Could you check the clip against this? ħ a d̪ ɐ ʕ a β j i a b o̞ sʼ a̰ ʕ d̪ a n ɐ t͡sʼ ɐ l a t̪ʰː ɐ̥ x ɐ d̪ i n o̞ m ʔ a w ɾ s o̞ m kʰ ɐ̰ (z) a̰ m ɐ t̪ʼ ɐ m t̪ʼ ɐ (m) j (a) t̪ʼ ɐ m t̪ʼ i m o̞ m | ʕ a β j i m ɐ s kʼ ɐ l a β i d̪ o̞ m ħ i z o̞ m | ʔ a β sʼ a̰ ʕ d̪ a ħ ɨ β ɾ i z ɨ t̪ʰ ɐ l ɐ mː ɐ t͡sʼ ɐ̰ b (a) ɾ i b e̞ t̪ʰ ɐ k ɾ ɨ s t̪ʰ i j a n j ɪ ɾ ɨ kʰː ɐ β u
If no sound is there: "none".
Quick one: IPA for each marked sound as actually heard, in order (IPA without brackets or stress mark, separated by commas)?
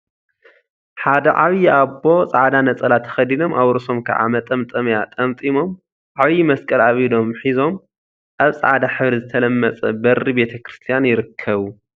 ʕ, m, a, ɐ